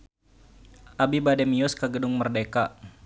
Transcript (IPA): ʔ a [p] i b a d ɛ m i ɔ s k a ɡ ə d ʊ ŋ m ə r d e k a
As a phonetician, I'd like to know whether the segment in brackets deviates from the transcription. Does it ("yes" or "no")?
yes